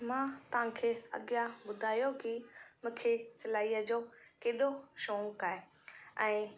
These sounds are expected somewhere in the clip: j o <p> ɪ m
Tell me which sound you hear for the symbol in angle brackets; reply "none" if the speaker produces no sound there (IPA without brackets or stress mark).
k